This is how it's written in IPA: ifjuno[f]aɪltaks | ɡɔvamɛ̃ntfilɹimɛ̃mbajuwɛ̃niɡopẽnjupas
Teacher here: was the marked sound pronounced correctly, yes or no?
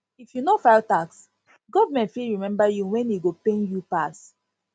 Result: yes